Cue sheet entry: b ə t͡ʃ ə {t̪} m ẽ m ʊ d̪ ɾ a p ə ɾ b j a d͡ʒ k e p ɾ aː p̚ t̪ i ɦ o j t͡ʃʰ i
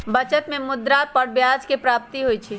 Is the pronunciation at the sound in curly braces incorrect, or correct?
correct